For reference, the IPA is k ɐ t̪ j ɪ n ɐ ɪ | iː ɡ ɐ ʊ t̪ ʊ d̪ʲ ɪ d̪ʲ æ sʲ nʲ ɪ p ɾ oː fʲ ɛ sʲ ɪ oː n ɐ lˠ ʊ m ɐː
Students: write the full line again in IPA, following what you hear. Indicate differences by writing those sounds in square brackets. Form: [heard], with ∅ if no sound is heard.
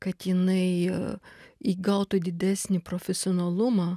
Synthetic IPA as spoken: k ɐ t̪ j ɪ n ɐ ɪ | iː ɡ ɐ ʊ t̪ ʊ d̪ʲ ɪ d̪ʲ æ sʲ nʲ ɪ p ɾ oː fʲ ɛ sʲ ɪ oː n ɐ lˠ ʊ m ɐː